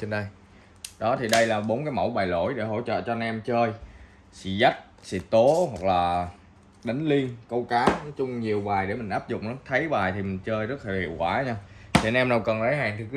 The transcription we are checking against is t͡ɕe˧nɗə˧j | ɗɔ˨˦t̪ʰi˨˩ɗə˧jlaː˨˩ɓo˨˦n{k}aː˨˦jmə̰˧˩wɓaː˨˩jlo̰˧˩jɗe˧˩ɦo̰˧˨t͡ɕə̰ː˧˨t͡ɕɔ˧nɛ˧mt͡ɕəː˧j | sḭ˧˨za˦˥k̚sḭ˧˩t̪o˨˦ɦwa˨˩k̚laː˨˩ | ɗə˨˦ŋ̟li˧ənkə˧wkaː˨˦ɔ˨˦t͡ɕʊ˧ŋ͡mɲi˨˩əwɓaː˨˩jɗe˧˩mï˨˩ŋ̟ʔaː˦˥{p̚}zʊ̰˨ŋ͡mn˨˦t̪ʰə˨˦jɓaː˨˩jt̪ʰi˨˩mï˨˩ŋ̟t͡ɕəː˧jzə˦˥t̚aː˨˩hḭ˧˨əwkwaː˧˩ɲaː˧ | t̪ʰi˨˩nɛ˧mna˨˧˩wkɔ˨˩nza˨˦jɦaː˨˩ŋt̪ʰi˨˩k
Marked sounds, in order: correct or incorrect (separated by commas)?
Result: correct, correct